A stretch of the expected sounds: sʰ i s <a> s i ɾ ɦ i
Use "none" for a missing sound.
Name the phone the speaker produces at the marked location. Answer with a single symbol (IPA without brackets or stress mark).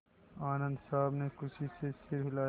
e